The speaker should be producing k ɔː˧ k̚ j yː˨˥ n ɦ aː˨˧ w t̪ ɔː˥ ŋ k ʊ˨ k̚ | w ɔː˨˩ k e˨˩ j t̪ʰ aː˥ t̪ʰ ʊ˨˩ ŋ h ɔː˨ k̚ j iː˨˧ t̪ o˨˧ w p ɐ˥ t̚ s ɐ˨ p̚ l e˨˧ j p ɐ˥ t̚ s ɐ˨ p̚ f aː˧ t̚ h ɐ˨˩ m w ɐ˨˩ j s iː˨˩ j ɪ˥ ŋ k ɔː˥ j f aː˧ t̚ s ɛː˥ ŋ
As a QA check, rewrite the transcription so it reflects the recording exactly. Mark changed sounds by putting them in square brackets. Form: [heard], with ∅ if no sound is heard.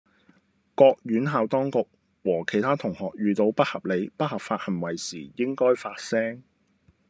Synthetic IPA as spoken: k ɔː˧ k̚ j yː˨˥ n ɦ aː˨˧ w t̪ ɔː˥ ŋ k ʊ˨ k̚ | w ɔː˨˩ [kʰ] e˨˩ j t̪ʰ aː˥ t̪ʰ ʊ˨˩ ŋ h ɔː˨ k̚ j [yː˨˧] t̪ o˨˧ w p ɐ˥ t̚ [h] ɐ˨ p̚ l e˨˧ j p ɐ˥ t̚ [h] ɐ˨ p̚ f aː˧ t̚ h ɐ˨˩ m w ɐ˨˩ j s iː˨˩ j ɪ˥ ŋ k ɔː˥ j f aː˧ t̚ s ɛː˥ ŋ